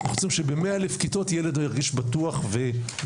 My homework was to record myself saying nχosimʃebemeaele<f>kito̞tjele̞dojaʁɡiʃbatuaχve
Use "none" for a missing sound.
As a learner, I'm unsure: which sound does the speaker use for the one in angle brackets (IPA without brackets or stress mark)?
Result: f